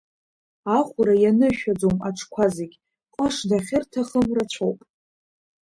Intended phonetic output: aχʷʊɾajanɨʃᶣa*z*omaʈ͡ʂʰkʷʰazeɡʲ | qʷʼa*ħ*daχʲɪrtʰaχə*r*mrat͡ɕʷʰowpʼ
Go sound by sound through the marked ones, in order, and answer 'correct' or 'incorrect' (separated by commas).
incorrect, incorrect, incorrect